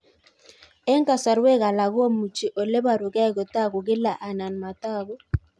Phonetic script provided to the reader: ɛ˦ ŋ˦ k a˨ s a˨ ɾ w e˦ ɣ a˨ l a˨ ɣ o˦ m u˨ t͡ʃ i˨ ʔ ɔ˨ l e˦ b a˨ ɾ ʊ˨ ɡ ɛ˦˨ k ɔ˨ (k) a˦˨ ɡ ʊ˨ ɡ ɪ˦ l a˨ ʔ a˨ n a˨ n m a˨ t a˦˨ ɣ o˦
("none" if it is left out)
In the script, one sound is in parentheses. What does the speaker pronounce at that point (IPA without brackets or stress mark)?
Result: t